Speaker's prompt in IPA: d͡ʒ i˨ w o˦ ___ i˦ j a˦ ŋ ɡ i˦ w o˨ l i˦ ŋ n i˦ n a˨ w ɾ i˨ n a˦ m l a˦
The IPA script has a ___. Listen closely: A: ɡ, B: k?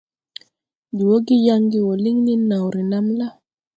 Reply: A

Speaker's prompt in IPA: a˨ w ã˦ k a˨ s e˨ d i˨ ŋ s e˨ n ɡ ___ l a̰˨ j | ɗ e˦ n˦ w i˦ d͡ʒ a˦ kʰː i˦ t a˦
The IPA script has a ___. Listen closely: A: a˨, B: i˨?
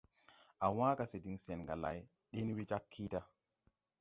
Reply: A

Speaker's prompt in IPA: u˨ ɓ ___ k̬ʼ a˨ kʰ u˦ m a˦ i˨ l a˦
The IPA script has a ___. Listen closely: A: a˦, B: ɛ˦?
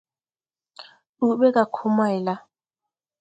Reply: B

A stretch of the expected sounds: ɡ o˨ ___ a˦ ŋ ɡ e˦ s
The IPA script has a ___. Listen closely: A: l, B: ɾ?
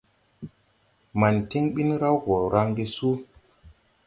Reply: B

